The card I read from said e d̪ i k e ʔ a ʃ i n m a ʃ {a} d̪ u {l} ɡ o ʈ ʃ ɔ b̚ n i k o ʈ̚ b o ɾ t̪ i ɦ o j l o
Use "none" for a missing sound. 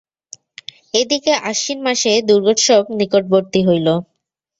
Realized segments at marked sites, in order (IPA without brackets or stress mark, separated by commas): e, ɾ